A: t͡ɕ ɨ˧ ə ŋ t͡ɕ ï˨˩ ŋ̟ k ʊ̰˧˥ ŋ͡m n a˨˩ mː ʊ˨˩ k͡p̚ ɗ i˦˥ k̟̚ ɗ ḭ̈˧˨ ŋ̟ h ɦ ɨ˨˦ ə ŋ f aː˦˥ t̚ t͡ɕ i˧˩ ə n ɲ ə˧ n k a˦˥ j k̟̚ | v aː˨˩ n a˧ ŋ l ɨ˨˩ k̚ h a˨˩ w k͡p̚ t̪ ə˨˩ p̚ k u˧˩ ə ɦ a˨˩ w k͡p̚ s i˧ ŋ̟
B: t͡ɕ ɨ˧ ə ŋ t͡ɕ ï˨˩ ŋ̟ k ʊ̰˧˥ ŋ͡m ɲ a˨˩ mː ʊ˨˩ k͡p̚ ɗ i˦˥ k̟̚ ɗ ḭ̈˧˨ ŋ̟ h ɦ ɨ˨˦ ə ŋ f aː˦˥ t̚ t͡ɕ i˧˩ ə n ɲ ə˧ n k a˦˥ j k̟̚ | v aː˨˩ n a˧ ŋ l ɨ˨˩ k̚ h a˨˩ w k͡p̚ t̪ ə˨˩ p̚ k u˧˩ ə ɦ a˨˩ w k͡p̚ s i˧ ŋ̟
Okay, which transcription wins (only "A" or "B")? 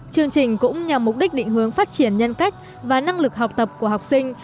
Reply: B